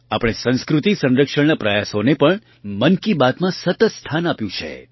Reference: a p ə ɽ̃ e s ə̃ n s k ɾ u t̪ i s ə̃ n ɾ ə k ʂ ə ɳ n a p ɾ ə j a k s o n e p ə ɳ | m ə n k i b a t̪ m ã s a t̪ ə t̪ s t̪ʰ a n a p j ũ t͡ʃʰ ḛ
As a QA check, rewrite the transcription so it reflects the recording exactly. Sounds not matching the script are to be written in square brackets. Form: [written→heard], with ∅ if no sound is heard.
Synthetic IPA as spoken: a p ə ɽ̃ e s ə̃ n s k ɾ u t̪ i s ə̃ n ɾ ə k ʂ ə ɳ n a p ɾ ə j a [k→∅] s o n e p ə ɳ | m ə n k i b a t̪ m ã s [a→ə] t̪ ə t̪ s t̪ʰ a n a p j ũ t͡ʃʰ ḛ

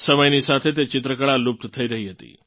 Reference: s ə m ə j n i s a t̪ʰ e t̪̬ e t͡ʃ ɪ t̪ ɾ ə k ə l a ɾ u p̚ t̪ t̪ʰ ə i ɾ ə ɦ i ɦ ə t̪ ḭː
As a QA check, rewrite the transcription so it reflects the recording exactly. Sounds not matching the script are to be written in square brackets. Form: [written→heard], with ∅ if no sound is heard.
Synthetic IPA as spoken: s ə m ə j n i s a t̪ʰ e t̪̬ e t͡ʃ ɪ t̪ ɾ ə k ə [l→ɭ] a [ɾ→l] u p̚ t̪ t̪ʰ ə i ɾ ə ɦ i ɦ ə t̪ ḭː

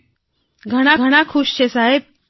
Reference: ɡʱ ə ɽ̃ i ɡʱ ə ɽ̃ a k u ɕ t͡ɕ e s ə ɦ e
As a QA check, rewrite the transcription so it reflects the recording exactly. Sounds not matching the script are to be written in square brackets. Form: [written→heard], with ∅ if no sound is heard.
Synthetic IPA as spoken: ɡʱ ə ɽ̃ [i→a] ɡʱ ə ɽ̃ a [k→kʰ] u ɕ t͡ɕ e s [ə→a] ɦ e

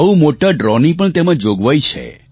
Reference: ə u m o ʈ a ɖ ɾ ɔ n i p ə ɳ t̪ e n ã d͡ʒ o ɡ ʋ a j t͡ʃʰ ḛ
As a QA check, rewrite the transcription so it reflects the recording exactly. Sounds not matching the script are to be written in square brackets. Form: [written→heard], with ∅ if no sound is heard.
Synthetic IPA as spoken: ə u m o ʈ a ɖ ɾ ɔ n i p ə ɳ t̪ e [n→m] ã d͡ʒ o ɡ ʋ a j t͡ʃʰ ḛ

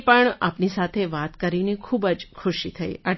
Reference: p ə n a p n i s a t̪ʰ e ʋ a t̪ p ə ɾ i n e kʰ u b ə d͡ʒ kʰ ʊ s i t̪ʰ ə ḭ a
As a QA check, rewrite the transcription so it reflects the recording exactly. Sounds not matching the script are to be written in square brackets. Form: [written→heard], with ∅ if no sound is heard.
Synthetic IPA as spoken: p ə [n→ɳ] a p n i s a t̪ʰ e ʋ a t̪ [p→k] ə ɾ i n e kʰ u b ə d͡ʒ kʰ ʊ [s→ʃ] i t̪ʰ ə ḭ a

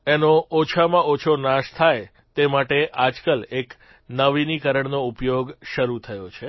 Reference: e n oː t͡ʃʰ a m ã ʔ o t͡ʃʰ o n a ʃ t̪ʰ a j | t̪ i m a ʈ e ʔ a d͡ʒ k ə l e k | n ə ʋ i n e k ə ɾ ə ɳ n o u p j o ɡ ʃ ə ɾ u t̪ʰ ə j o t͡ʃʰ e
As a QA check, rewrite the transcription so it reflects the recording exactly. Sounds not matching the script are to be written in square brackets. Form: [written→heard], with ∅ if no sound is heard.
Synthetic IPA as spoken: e n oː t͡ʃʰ a m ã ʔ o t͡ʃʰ o n a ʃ t̪ʰ a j | t̪ [i→e] m a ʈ e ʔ a d͡ʒ k ə l e k | n ə ʋ i n [e→i] k ə ɾ ə ɳ n o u p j o ɡ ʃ ə ɾ u t̪ʰ ə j o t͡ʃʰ e

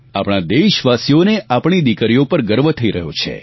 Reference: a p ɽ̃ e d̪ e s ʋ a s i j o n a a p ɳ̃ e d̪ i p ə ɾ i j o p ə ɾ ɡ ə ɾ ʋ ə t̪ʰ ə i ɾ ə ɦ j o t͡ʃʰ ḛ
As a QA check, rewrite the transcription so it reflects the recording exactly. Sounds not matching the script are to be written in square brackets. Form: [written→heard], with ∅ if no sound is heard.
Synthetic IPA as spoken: a p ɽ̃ [e→a] d̪ e [s→ʃ] ʋ a s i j o n [a→e] a p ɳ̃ [e→i] d̪ i [p→k] ə ɾ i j o p ə ɾ ɡ ə ɾ ʋ ə t̪ʰ ə i ɾ ə ɦ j o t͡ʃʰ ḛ

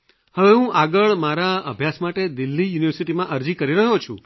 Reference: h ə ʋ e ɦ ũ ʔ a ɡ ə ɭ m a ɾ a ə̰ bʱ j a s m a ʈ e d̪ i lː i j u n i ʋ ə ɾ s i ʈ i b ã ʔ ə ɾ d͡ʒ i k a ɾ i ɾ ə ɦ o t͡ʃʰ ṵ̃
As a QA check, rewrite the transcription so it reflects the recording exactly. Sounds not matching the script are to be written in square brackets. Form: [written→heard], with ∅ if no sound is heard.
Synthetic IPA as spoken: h ə ʋ e ɦ ũ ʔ a ɡ ə ɭ m a ɾ a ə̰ bʱ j a s m a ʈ e d̪ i lː i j u n i ʋ ə ɾ s i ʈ i [b→m] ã ʔ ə ɾ d͡ʒ i k [a→ə] ɾ i ɾ ə ɦ o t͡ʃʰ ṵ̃

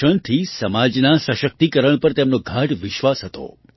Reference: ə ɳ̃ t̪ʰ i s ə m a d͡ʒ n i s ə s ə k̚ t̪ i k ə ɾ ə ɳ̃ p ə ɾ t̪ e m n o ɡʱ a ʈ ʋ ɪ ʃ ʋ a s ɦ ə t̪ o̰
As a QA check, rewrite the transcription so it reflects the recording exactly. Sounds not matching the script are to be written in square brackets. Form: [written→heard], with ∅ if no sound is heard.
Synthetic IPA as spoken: ə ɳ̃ t̪ʰ i s ə m a d͡ʒ n [i→a] s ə [s→ʃ] ə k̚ t̪ i k ə ɾ ə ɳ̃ p ə ɾ t̪ e m n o ɡʱ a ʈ ʋ ɪ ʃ ʋ a s ɦ ə t̪ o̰

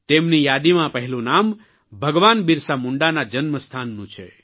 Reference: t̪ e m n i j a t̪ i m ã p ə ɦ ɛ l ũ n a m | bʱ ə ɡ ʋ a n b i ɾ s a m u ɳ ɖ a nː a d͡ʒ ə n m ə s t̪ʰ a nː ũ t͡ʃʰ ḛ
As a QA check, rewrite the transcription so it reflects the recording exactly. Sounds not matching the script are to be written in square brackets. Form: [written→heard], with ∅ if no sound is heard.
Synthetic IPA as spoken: t̪ e m n i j a [t̪→d̪] i m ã p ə ɦ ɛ l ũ n a m | bʱ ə ɡ ʋ a n b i ɾ s a m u ɳ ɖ a [nː→n] a d͡ʒ ə n m ə s t̪ʰ a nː ũ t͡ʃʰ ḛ

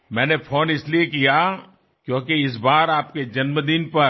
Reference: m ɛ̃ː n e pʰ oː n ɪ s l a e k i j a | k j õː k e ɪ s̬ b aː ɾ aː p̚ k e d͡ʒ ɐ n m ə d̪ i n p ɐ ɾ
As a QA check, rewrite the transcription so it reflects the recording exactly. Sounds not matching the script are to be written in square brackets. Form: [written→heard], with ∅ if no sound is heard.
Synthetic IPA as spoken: m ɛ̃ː n e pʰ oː n ɪ s l [a→i] e k i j a | k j õː k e ɪ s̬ b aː ɾ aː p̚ k e d͡ʒ ɐ n m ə d̪ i n p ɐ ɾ

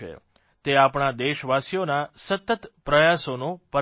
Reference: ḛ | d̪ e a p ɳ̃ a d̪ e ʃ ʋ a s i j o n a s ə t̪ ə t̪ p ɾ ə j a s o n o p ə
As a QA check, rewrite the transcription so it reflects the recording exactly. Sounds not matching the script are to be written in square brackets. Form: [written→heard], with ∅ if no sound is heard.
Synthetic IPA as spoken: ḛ | [d̪→t̪] e a p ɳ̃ a d̪ e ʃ ʋ a s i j o n a s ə t̪ ə t̪ p ɾ ə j a s o n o p ə

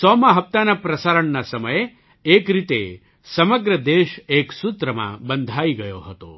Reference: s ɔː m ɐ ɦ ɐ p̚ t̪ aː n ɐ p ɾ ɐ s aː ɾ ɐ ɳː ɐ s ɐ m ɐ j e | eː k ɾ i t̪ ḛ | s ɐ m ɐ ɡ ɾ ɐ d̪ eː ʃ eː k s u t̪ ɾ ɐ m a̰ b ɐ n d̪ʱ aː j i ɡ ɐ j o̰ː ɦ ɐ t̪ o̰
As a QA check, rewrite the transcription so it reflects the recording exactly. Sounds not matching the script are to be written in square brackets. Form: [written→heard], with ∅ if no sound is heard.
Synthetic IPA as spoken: s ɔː m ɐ ɦ ɐ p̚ t̪ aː n ɐ p ɾ ɐ s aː ɾ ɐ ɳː ɐ s ɐ m ɐ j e | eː k ɾ i t̪ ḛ | s ɐ m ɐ ɡ ɾ ɐ d̪ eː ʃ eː k s u t̪ ɾ ɐ m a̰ b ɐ n d̪ʱ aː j i ɡ ɐ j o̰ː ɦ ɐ t̪ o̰

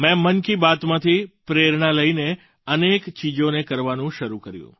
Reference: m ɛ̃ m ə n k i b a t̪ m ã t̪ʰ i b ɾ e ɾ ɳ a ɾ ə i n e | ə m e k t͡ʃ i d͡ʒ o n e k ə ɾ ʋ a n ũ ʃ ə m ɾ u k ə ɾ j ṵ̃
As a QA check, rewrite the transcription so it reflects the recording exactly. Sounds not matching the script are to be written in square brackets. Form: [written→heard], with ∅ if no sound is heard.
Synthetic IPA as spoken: m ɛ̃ m ə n k i b a t̪ m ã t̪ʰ i [b→p] ɾ e ɾ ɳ a [ɾ→l] ə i n e | ə [m→n] e k t͡ʃ i d͡ʒ o n e k ə ɾ ʋ a n ũ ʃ ə [m→∅] ɾ u k ə ɾ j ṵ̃

